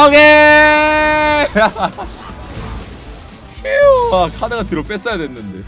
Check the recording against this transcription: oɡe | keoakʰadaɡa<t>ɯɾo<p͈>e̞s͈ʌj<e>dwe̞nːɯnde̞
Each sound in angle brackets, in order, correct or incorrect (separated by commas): correct, correct, incorrect